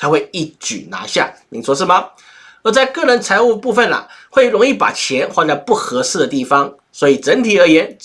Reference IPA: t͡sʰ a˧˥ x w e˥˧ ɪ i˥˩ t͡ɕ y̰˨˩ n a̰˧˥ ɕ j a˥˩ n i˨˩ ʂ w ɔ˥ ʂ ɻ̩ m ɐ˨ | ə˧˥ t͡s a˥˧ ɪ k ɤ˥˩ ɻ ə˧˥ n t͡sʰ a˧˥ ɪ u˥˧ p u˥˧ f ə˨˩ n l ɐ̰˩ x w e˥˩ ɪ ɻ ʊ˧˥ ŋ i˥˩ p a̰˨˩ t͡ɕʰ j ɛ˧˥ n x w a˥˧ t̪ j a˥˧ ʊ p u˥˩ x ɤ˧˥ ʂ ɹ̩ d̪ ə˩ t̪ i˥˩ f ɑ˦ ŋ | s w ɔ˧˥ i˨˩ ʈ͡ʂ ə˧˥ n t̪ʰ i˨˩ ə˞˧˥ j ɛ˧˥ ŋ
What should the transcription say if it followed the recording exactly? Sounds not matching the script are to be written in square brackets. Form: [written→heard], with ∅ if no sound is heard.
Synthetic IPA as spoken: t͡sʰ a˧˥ x w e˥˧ ɪ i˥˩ t͡ɕ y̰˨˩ n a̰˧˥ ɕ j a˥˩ n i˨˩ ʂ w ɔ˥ ʂ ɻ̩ m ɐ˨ | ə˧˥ t͡s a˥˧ ɪ k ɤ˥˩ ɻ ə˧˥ n t͡sʰ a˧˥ ɪ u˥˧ p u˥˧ f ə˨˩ n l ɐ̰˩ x w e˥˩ ɪ ɻ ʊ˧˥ ŋ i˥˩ p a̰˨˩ t͡ɕʰ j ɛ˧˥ n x w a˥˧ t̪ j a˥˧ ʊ p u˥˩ x ɤ˧˥ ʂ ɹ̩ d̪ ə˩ t̪ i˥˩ f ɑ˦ ŋ | s w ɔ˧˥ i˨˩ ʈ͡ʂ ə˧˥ n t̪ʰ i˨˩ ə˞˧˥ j ɛ˧˥ [ŋ→n]